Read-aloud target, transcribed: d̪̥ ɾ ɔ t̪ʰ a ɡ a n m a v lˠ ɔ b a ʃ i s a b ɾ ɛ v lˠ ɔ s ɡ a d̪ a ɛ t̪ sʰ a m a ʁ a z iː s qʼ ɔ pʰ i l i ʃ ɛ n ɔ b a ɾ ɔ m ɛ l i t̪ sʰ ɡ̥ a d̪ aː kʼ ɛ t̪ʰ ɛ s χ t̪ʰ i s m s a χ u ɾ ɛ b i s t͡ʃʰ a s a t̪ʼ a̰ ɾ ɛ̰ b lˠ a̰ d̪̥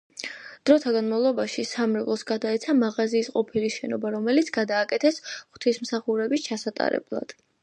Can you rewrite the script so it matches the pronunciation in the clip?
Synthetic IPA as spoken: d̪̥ ɾ ɔ t̪ʰ a ɡ a n m a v lˠ ɔ b a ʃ i s a m ɾ ɛ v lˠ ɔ s ɡ a d̪ a ɛ t̪ sʰ a m a ʁ a z iː s qʼ ɔ pʰ i l i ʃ ɛ n ɔ b a ɾ ɔ m ɛ l i t̪ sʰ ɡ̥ a d̪ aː kʼ ɛ t̪ʰ ɛ s χ t̪ʰ i s m s a χ u ɾ ɛ b i s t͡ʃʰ a s a t̪ʼ a̰ ɾ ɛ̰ b lˠ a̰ d̪̥

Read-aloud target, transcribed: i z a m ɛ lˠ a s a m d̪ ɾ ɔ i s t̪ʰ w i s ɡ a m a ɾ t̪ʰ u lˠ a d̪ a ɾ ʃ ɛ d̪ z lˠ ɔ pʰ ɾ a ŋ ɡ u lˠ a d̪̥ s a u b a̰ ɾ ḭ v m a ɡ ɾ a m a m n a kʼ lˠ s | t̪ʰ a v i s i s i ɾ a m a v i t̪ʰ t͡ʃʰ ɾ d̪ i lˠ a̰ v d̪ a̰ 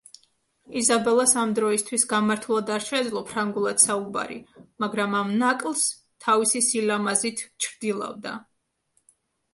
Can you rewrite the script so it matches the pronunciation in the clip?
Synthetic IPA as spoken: i z a b ɛ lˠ a s a m d̪ ɾ ɔ i s t̪ʰ w i s ɡ a m a ɾ t̪ʰ u lˠ a d̪ a ɾ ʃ ɛ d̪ z lˠ ɔ pʰ ɾ a ŋ ɡ u lˠ a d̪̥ s a u b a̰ ɾ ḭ m a ɡ ɾ a m a m n a kʼ lˠ s | t̪ʰ a v i s i s i l a m a z i t̪ʰ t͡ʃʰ ɾ d̪ i lˠ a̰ v d̪ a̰

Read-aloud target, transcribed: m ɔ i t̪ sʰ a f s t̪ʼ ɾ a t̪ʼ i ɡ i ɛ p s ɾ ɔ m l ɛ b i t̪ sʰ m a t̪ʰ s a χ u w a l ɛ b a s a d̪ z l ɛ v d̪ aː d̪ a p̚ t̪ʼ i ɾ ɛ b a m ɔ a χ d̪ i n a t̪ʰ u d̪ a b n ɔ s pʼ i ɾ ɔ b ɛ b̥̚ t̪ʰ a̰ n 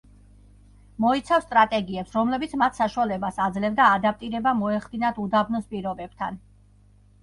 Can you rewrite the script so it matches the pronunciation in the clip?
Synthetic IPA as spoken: m ɔ i t̪ sʰ a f s t̪ʼ ɾ a t̪ʼ ɛ ɡ i ɛ p s ɾ ɔ m l ɛ b i t̪ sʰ m a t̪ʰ s a ʃ u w a l ɛ b a s a d̪ z l ɛ v d̪ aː d̪ a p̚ t̪ʼ i ɾ ɛ b a m ɔ ɛ χ d̪ i n a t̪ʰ u d̪ a b n ɔ s pʼ i ɾ ɔ b ɛ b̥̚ t̪ʰ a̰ n

